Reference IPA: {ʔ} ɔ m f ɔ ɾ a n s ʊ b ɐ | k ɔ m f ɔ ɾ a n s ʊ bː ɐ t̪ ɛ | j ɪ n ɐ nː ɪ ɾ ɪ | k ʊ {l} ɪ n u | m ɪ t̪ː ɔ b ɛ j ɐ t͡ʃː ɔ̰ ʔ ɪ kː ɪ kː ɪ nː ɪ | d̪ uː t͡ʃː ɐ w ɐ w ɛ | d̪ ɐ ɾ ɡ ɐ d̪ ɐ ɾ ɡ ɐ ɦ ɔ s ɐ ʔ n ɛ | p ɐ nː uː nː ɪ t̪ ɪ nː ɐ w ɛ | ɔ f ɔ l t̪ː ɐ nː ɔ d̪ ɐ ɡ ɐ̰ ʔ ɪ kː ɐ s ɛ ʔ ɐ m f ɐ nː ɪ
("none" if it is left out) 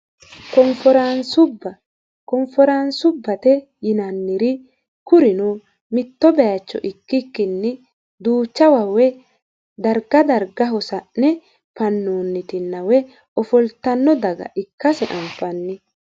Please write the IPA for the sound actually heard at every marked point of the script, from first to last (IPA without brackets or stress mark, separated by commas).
k, ɾ